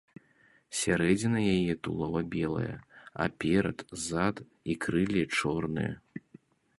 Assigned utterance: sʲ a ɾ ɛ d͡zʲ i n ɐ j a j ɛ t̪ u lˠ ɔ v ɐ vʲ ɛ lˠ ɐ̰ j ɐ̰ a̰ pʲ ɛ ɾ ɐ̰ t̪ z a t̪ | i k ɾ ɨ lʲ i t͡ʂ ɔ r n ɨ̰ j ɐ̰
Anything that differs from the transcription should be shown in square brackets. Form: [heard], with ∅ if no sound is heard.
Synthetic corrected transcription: sʲ a ɾ ɛ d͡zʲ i n ɐ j a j ɛ t̪ u lˠ ɔ v ɐ [bʲ] ɛ lˠ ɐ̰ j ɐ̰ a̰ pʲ ɛ ɾ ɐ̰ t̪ z a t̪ | i k ɾ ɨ lʲ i t͡ʂ ɔ r n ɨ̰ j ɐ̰

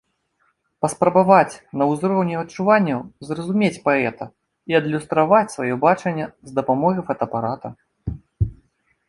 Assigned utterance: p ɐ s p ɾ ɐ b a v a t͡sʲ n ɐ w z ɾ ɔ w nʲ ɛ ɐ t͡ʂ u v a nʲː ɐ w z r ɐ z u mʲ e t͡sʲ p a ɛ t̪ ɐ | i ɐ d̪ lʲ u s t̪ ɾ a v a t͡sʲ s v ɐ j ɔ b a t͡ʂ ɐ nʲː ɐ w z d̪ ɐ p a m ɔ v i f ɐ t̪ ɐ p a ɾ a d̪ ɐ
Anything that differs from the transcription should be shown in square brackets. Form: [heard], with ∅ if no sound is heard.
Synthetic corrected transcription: p ɐ s p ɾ ɐ b a v a t͡sʲ n ɐ w z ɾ ɔ w nʲ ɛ ɐ t͡ʂ u v a nʲː ɐ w z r ɐ z u mʲ e t͡sʲ p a ɛ t̪ ɐ | i ɐ d̪ lʲ u s t̪ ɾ a v a t͡sʲ s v [a] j ɔ b a t͡ʂ ɐ nʲː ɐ [∅] z d̪ ɐ p a m ɔ [ɣ] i f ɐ t̪ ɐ p a ɾ a [t̪] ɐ

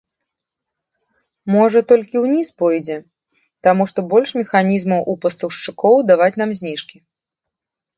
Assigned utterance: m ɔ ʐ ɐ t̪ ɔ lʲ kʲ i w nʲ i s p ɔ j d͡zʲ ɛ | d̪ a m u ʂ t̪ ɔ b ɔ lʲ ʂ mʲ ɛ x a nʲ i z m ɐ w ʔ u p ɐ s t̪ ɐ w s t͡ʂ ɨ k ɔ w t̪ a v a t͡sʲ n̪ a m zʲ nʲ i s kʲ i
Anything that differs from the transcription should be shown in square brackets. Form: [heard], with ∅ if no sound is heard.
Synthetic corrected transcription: m ɔ ʐ ɐ t̪ ɔ lʲ kʲ i w nʲ i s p ɔ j d͡zʲ ɛ | [t̪] a m u ʂ t̪ ɔ b ɔ lʲ ʂ mʲ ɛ x a nʲ i z m ɐ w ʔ u p ɐ s t̪ ɐ w [ʂ] t͡ʂ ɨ k ɔ w [d̪] a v a t͡sʲ n̪ a m zʲ nʲ i [ʂ] kʲ i

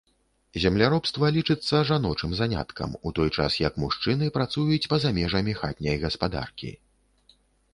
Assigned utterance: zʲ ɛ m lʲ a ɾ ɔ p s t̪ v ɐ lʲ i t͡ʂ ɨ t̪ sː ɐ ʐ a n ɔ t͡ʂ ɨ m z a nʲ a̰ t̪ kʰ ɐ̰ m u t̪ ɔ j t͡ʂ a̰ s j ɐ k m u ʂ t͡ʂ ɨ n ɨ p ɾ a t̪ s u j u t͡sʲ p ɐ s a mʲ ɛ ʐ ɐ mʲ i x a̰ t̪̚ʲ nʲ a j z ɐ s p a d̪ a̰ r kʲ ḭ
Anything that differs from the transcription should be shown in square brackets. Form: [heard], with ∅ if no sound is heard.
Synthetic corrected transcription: zʲ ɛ m lʲ a ɾ ɔ p s t̪ v ɐ lʲ i t͡ʂ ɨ t̪ sː ɐ ʐ a n ɔ t͡ʂ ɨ m z a nʲ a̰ t̪ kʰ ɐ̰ m u t̪ ɔ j t͡ʂ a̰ s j ɐ k m u ʂ t͡ʂ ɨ n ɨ p ɾ a t̪ s u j u t͡sʲ p ɐ [z] a mʲ ɛ ʐ ɐ mʲ i x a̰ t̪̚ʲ nʲ [ɐ] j [ɣ] ɐ s p a d̪ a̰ r kʲ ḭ

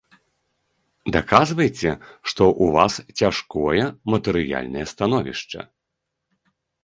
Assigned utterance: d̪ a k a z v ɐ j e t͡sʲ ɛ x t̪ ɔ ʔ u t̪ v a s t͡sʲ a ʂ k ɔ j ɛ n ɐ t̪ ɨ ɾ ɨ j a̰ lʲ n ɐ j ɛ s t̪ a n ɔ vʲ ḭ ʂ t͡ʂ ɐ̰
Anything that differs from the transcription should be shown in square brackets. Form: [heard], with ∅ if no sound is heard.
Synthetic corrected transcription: d̪ a k a z v ɐ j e t͡sʲ ɛ [ʂ] t̪ ɔ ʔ u [∅] v a s t͡sʲ a ʂ k ɔ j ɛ [m] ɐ t̪ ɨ ɾ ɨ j a̰ lʲ n ɐ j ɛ s t̪ a n ɔ vʲ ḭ ʂ t͡ʂ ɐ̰

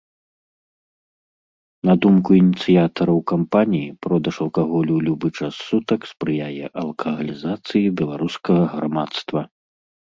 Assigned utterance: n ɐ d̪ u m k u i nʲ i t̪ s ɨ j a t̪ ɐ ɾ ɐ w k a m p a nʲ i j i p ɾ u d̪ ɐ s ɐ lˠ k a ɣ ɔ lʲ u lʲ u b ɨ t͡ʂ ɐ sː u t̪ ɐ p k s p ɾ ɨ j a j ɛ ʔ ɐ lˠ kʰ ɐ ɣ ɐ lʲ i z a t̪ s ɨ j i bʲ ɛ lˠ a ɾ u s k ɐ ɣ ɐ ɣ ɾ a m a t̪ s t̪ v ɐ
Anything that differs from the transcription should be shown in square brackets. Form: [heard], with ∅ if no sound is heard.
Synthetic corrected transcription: n ɐ d̪ u m k u i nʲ i t̪ s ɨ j a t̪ ɐ ɾ ɐ w k a m p a nʲ i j i p ɾ [ɔ] d̪ ɐ [ʂ] ɐ lˠ k a ɣ ɔ lʲ u lʲ u b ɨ t͡ʂ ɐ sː u t̪ ɐ [∅] k s p ɾ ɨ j a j ɛ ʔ ɐ lˠ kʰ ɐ ɣ ɐ lʲ i z a t̪ s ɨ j i bʲ ɛ lˠ a ɾ u s k ɐ ɣ ɐ ɣ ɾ a m a t̪ s t̪ v ɐ

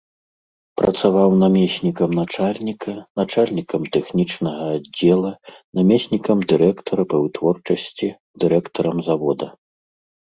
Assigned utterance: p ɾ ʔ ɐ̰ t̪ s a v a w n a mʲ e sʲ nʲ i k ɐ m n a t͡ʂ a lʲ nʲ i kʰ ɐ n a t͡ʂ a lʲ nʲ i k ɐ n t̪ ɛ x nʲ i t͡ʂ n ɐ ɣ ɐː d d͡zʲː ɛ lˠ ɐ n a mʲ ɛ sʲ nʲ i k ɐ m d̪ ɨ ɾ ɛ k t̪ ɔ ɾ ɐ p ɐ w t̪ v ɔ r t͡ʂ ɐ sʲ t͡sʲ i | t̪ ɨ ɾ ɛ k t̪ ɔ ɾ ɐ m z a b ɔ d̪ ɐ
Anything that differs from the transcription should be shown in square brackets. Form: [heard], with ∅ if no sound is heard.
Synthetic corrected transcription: p ɾ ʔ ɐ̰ t̪ s a v a w n a mʲ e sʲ nʲ i k ɐ m n a t͡ʂ a lʲ nʲ i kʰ ɐ n a t͡ʂ a lʲ nʲ i k ɐ [m] t̪ ɛ x nʲ i t͡ʂ n ɐ ɣ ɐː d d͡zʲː ɛ lˠ ɐ n a mʲ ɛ sʲ nʲ i k ɐ m d̪ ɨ ɾ ɛ k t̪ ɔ ɾ ɐ p ɐ w t̪ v ɔ r t͡ʂ ɐ sʲ t͡sʲ i | [d̪] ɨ ɾ ɛ k t̪ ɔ ɾ ɐ m z a [v] ɔ d̪ ɐ

